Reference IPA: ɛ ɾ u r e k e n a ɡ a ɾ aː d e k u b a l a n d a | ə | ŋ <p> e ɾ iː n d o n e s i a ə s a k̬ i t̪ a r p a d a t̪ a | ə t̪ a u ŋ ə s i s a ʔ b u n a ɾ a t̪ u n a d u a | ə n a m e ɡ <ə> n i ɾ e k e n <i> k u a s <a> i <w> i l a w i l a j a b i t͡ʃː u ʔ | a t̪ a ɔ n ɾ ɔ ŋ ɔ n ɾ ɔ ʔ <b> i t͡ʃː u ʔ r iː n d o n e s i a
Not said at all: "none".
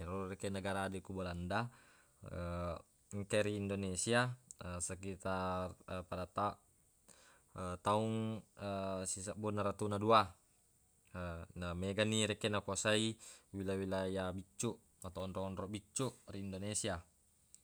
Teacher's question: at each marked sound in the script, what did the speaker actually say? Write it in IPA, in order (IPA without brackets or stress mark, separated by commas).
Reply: k, a, a, a, w, b